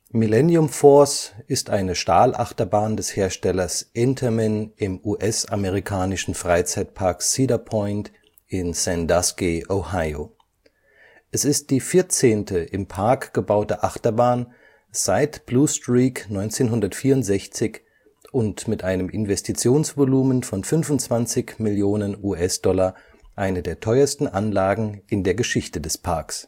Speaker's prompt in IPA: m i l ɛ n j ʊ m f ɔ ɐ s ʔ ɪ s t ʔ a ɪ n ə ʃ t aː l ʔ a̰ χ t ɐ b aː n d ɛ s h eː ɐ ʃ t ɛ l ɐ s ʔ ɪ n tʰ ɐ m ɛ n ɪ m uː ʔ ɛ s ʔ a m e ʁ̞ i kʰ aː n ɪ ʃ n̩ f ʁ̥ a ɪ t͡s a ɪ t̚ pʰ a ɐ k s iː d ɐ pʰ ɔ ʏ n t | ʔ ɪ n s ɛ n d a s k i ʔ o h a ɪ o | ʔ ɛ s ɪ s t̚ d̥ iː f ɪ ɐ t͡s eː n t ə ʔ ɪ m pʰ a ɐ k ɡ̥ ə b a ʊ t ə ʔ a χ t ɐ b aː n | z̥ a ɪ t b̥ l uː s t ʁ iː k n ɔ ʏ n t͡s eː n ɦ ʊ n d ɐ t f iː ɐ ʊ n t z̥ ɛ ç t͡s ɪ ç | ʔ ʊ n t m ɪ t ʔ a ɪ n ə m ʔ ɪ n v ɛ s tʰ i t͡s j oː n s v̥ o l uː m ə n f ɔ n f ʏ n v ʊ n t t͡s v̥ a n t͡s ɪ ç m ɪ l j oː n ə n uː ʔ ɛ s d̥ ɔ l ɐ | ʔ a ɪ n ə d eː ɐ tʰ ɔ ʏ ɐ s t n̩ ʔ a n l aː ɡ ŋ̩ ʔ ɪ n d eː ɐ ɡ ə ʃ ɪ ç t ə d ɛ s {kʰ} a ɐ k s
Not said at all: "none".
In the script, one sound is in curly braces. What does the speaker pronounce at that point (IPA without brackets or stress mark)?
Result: pʰ